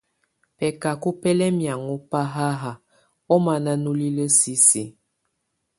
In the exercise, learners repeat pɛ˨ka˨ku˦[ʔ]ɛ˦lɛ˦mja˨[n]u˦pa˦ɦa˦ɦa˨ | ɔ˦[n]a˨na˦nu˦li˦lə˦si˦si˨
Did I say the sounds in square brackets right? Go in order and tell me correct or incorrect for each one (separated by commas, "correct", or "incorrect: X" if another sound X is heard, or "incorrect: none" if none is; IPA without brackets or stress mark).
incorrect: p, incorrect: ŋ, incorrect: m